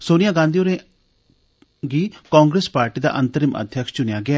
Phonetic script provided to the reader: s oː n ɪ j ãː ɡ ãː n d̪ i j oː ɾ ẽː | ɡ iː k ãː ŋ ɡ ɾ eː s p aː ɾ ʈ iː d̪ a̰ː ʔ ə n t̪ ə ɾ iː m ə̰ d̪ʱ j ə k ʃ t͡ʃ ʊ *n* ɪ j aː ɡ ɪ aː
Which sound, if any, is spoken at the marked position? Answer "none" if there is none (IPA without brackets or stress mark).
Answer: n